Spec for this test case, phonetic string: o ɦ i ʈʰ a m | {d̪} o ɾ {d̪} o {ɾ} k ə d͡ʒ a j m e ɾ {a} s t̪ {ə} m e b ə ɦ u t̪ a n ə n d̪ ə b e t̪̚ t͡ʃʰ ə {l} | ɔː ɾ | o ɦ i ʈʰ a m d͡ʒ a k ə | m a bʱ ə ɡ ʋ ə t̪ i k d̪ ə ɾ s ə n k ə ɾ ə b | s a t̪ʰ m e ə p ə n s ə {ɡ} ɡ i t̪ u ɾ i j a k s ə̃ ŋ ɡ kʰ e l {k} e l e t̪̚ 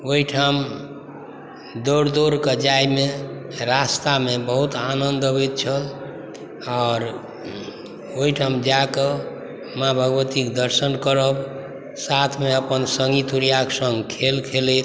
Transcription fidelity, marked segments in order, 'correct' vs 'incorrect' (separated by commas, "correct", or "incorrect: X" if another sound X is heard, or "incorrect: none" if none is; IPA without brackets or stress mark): correct, correct, correct, correct, incorrect: a, correct, incorrect: ŋ, incorrect: kʰ